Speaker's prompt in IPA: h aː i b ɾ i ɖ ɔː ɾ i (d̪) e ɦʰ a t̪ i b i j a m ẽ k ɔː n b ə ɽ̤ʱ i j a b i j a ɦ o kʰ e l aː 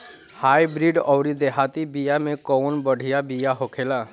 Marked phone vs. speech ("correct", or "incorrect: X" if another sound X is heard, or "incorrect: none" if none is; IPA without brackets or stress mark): correct